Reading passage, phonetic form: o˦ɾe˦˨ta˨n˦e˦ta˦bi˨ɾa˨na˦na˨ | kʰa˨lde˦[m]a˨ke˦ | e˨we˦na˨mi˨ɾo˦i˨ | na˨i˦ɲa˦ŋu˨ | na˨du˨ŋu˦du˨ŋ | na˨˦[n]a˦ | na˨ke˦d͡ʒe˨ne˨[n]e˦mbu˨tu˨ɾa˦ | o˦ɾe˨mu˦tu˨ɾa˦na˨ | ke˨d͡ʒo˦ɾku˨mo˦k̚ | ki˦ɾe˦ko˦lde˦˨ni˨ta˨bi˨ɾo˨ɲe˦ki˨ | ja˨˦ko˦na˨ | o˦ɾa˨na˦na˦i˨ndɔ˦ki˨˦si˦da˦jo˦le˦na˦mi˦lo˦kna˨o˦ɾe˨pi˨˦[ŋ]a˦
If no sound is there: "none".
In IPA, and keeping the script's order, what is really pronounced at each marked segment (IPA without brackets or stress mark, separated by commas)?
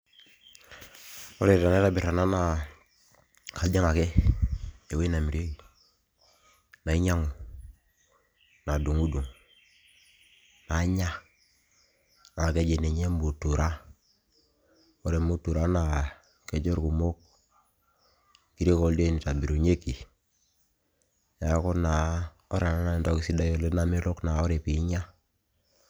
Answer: ŋ, ɲ, ɲ, ɲ